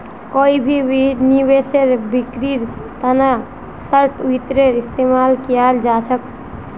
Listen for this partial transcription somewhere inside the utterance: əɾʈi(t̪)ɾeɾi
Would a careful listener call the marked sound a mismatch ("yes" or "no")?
no